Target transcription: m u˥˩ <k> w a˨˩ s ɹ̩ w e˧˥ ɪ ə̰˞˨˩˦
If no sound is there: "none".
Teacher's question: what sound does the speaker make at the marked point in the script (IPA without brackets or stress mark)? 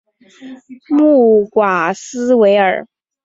k